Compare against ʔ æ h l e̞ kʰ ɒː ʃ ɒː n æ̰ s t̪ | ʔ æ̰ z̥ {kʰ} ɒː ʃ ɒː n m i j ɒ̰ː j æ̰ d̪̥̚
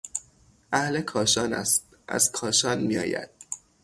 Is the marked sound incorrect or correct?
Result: correct